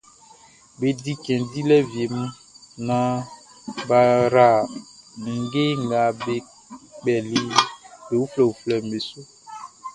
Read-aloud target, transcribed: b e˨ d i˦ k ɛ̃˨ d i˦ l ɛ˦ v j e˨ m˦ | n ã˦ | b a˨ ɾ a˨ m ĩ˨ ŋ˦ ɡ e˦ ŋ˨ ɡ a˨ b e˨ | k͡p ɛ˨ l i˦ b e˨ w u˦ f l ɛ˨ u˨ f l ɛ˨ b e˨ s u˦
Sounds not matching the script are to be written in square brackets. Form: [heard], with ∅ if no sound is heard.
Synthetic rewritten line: b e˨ d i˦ k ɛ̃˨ d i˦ l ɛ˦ v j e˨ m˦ | n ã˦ | b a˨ ɾ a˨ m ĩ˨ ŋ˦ ɡ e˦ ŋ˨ ɡ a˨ b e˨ | k͡p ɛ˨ l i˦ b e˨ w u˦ f l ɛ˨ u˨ f l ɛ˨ [m] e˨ s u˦